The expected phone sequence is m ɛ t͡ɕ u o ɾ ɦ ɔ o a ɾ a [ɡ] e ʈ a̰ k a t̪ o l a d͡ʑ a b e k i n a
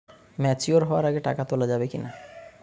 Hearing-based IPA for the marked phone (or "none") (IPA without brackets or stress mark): ɡ